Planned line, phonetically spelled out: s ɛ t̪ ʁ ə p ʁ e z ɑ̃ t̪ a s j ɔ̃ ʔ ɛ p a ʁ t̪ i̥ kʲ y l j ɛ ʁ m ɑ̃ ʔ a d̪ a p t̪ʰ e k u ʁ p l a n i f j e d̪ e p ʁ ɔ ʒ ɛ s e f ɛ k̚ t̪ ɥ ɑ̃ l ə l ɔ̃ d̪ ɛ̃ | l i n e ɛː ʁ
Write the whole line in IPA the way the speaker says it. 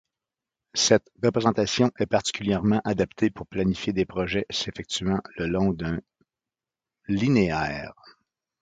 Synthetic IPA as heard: s ɛ t̪ ʁ ə p ʁ e z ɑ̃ t̪ a s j ɔ̃ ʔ ɛ p a ʁ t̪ i̥ kʲ y l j ɛ ʁ m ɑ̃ ʔ a d̪ a p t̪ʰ e p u ʁ p l a n i f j e d̪ e p ʁ ɔ ʒ ɛ s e f ɛ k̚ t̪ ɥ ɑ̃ l ə l ɔ̃ d̪ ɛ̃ | l i n e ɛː ʁ